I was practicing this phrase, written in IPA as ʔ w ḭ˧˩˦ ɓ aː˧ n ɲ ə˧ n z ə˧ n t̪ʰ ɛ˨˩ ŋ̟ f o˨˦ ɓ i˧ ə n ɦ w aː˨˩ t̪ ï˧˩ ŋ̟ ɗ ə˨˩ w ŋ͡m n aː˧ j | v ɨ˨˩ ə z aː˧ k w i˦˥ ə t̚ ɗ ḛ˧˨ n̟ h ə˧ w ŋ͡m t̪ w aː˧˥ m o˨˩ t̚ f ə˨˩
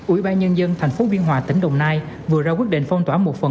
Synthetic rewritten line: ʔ w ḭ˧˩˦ ɓ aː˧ n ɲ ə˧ n z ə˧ n t̪ʰ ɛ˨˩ ŋ̟ f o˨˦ ɓ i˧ ə n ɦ w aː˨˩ t̪ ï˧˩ ŋ̟ ɗ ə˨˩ w ŋ͡m n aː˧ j | v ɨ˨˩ ə z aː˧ k w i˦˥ ə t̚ ɗ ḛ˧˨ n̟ f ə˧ w ŋ͡m t̪ w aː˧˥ m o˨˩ t̚ f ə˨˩